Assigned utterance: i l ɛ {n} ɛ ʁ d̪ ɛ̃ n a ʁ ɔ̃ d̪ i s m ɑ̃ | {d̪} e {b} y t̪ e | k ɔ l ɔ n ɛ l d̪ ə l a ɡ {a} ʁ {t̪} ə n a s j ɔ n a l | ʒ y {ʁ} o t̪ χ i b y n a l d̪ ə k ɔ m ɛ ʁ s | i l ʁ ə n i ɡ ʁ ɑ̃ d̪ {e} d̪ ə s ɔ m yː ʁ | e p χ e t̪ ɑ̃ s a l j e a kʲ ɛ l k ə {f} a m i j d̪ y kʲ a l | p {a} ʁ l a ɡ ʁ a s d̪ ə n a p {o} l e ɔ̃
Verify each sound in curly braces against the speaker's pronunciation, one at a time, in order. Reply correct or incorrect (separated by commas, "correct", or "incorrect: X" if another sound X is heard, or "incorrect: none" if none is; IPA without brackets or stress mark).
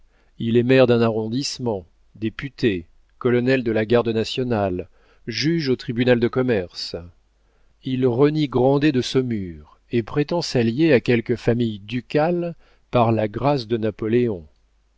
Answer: incorrect: m, correct, incorrect: p, correct, incorrect: d̪, incorrect: ʒ, correct, correct, correct, incorrect: ɔ